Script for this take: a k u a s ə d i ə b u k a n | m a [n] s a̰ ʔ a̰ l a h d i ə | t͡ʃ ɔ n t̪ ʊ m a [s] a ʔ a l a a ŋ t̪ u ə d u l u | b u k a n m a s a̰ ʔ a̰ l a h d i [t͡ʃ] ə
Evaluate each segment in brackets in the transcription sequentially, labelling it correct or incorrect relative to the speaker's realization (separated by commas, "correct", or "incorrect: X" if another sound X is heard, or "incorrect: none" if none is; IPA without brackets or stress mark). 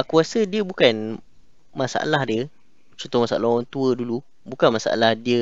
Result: incorrect: none, correct, incorrect: none